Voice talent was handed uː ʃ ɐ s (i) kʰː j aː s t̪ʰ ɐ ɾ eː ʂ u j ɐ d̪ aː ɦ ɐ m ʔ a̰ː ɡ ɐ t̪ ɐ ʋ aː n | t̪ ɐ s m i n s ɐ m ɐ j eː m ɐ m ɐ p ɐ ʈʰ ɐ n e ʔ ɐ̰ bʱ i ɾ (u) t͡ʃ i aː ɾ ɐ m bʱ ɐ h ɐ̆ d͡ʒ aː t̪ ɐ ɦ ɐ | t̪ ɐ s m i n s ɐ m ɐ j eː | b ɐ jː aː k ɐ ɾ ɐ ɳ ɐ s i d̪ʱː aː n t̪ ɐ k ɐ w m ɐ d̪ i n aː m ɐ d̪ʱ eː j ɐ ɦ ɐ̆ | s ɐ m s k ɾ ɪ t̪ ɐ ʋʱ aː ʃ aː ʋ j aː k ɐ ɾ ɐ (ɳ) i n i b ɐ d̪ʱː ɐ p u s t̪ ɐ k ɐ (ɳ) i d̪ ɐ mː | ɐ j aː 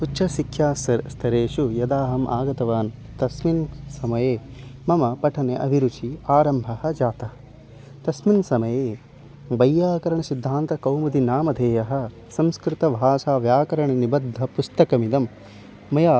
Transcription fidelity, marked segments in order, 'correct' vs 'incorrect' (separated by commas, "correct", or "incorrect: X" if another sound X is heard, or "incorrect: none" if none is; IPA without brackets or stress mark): correct, correct, correct, incorrect: m